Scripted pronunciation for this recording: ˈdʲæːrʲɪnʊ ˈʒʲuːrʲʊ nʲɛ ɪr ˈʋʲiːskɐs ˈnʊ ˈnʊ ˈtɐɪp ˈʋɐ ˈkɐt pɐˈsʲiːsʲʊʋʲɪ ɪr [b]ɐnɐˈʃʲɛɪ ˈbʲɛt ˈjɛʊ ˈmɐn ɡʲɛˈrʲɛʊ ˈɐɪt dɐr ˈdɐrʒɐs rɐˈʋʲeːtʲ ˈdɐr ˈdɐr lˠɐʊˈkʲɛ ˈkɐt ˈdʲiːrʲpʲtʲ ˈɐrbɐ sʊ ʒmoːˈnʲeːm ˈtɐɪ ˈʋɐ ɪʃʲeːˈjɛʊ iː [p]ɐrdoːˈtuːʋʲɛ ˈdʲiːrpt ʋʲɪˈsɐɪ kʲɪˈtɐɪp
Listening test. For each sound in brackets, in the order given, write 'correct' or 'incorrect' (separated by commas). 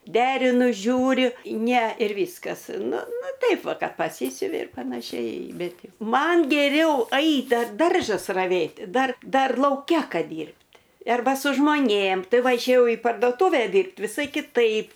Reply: incorrect, correct